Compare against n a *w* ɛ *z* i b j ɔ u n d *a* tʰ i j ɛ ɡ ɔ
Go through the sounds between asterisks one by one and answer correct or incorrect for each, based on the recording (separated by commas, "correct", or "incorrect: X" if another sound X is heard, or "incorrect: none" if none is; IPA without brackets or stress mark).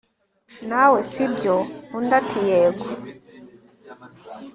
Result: correct, incorrect: s, correct